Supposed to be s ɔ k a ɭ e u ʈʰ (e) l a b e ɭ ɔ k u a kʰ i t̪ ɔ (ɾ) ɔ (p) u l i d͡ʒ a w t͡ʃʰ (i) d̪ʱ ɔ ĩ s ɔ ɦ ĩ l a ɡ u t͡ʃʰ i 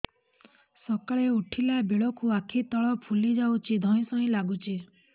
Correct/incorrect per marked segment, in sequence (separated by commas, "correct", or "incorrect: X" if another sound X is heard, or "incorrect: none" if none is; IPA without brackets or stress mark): incorrect: i, incorrect: ɭ, incorrect: pʰ, correct